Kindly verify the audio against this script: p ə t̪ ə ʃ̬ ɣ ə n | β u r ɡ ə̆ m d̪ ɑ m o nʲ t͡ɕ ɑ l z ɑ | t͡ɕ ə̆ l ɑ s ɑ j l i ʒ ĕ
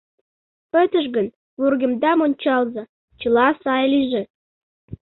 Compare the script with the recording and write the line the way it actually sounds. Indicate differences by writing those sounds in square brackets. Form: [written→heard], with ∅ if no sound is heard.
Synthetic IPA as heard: p ə t̪ ə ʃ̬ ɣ ə n | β u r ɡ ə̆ m d̪ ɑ m o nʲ t͡ɕ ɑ l z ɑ | t͡ɕ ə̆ l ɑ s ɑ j l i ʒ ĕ